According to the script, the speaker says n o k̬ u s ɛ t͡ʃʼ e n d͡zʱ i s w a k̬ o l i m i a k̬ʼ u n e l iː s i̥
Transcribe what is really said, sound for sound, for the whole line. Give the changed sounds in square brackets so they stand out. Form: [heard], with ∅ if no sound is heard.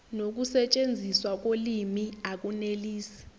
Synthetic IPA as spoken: n o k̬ u s ɛ t͡ʃʼ e n d͡zʱ i s w a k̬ o l i m i a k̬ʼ u n e l iː s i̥